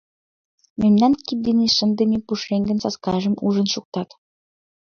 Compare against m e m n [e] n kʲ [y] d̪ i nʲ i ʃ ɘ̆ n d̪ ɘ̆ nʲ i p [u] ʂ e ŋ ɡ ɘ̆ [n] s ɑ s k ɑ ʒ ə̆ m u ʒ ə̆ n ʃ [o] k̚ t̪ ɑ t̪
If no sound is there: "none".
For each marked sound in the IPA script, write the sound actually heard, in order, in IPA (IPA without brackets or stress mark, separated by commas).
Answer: æ, i, u, n, u